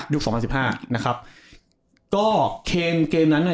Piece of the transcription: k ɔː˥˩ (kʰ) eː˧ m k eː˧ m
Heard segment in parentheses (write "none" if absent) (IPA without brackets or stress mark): kʰ